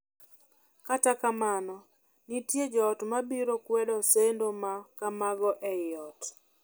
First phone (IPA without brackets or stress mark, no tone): k